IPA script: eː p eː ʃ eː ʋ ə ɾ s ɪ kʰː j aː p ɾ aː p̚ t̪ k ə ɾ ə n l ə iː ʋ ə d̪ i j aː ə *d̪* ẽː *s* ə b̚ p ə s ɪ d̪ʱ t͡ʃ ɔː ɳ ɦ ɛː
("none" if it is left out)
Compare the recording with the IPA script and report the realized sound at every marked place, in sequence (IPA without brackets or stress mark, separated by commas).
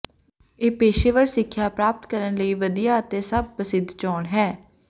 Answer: t̪, s